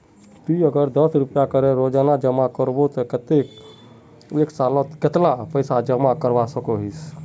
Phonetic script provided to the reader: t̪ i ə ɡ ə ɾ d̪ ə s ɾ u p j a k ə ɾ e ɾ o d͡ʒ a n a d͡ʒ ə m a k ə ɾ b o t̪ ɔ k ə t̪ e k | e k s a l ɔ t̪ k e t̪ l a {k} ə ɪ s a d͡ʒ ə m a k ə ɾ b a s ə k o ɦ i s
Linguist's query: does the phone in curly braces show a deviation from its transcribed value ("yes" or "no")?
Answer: yes